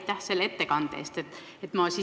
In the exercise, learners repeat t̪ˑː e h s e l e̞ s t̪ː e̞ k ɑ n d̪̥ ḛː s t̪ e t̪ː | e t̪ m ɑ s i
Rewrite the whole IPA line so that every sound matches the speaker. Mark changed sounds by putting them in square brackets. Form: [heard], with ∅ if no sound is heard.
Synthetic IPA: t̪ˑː [æ] h s e l e̞ [∅] t̪ː e̞ k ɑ n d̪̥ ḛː s t̪ e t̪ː | e t̪ m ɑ s i